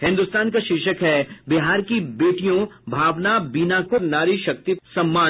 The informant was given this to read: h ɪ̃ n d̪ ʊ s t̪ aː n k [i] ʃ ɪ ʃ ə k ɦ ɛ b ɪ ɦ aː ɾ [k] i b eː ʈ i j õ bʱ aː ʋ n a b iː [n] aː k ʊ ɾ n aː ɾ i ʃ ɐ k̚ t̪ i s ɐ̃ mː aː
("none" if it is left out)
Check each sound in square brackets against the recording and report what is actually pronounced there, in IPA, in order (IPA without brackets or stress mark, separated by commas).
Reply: a, k, n